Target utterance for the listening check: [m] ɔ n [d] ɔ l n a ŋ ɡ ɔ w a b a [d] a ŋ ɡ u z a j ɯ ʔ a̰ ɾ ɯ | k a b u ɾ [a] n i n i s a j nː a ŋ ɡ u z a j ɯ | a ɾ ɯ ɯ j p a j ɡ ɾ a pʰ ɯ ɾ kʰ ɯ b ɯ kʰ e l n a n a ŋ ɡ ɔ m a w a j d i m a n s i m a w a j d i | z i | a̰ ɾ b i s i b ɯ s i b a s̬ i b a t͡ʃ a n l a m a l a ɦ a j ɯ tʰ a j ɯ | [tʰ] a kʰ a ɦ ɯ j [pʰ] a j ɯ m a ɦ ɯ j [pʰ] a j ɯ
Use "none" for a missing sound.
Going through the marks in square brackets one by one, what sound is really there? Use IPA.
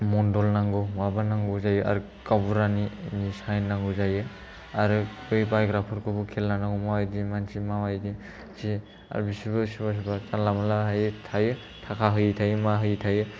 m, d, n, a, tʰ, tʰ, tʰ

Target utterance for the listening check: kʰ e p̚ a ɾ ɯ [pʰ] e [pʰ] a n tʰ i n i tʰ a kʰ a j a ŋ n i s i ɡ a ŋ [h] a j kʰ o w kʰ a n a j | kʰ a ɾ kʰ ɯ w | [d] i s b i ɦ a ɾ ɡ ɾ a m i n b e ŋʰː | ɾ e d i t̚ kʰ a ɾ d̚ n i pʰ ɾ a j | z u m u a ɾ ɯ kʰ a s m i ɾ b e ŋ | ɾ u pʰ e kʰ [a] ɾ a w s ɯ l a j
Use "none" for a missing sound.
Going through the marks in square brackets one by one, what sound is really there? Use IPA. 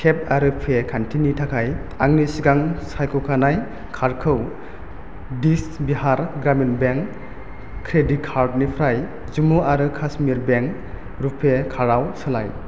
pʰ, kʰ, s, d, a

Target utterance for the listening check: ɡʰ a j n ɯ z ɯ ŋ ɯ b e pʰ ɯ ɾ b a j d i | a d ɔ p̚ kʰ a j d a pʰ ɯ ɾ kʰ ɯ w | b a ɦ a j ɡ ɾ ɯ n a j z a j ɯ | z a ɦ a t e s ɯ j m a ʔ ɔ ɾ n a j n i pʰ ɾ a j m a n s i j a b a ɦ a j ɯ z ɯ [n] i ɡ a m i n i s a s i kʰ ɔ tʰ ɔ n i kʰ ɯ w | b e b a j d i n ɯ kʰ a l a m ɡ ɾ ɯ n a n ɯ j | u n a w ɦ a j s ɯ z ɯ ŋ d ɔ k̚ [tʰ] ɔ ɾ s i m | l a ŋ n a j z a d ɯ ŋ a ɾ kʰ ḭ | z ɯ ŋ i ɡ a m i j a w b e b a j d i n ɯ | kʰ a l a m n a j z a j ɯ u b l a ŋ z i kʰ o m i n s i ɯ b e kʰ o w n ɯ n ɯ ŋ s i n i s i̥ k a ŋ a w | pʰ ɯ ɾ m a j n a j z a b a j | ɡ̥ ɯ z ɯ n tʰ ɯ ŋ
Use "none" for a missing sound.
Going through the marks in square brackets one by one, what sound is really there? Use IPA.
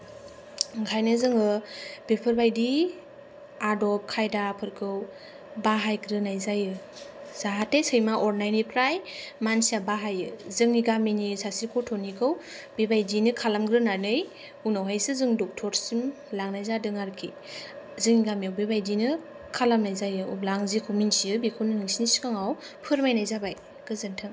ŋ, tʰ

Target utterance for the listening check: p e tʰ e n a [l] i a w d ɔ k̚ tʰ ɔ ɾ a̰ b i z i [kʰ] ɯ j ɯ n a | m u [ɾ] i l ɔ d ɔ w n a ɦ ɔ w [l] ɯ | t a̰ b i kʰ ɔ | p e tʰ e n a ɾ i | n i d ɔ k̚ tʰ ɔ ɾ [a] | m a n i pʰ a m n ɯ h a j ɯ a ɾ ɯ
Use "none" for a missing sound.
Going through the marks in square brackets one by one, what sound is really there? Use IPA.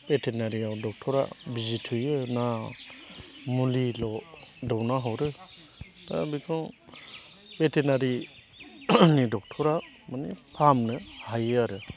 ɾ, tʰ, l, ɾ, a

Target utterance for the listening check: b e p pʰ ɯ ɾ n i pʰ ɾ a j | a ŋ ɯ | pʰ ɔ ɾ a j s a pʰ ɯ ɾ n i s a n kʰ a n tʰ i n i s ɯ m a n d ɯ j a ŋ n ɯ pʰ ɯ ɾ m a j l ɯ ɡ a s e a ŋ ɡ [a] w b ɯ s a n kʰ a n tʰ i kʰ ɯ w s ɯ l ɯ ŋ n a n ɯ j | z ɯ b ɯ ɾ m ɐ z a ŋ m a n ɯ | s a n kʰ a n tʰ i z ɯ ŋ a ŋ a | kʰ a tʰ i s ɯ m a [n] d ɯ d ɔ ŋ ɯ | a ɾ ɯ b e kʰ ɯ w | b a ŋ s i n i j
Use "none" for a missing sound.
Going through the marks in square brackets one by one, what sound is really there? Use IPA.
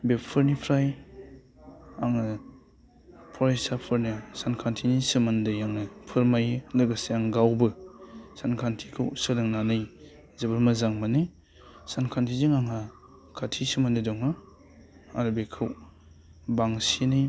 a, n

